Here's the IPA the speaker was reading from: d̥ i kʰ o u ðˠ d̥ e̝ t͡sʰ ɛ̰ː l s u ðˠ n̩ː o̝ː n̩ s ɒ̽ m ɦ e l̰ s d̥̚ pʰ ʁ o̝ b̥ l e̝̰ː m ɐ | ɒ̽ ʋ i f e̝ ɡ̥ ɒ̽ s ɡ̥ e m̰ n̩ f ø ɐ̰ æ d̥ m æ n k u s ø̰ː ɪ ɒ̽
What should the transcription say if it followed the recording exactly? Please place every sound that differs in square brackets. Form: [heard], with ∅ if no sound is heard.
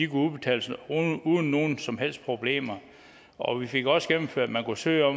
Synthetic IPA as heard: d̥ i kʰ [u] u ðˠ [b̥] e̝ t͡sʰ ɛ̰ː l s u ðˠ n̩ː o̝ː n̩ s ɒ̽ m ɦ e l̰ s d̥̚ pʰ ʁ o̝ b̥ l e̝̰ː m ɐ | ɒ̽ ʋ i f e̝ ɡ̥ ɒ̽ s ɡ̥ e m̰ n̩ f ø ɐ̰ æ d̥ m æ n k u s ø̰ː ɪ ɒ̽